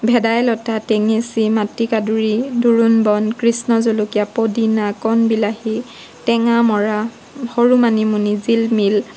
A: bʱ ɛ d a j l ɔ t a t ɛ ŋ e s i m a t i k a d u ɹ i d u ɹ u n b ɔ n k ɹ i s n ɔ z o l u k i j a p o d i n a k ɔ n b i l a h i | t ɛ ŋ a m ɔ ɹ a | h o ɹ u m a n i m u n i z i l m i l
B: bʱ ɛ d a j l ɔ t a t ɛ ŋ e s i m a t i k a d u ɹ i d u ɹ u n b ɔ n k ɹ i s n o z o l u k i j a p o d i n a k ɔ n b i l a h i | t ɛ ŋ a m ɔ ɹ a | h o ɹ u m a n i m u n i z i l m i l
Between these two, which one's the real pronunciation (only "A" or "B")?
A